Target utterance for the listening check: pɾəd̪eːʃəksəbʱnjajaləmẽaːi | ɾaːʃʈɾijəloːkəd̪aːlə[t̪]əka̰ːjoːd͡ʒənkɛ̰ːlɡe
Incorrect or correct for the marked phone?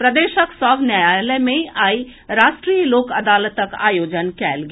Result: correct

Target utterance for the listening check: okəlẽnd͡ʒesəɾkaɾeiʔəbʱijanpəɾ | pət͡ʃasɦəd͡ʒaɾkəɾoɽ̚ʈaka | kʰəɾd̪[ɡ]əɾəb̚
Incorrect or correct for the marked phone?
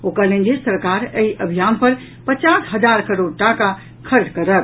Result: incorrect: k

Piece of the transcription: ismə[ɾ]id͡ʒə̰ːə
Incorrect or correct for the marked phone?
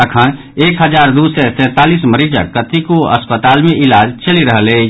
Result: correct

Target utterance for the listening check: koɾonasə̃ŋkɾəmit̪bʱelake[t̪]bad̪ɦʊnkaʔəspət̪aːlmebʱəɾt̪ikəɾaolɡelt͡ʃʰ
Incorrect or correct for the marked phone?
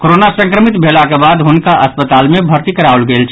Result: incorrect: none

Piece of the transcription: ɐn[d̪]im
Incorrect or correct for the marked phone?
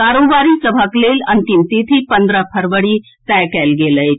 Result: incorrect: t̪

